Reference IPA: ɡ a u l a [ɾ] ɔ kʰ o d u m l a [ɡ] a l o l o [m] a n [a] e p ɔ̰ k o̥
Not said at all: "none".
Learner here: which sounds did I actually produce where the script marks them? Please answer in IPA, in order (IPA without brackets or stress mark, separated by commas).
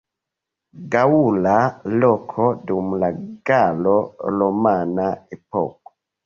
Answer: l, ɡ, m, a